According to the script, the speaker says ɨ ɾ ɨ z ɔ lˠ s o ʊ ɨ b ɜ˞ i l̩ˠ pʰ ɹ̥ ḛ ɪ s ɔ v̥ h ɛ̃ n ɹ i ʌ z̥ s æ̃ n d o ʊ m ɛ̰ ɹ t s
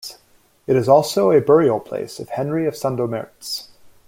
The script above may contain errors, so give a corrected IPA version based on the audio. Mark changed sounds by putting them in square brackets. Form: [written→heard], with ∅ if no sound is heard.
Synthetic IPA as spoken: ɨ ɾ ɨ z ɔ lˠ s o ʊ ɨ b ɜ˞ i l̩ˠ pʰ [ɹ̥→l̥] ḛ ɪ s [ɔ→ʌ] v̥ h ɛ̃ n ɹ i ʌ [z̥→v̥] s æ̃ n d o ʊ m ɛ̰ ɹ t s